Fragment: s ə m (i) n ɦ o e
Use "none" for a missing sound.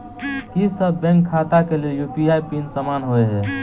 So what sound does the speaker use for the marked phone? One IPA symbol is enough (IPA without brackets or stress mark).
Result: a